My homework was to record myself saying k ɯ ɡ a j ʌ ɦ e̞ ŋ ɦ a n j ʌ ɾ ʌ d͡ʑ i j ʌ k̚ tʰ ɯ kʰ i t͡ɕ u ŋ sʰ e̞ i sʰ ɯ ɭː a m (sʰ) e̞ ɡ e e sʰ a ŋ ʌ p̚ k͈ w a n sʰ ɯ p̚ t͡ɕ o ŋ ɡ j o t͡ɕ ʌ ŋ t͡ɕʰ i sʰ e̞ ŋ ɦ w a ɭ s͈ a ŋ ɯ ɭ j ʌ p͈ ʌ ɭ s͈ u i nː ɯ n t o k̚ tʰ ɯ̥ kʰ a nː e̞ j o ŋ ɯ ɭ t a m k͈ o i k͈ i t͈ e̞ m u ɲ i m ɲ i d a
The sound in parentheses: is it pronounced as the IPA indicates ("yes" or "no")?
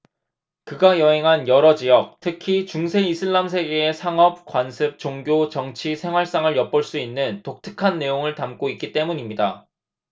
yes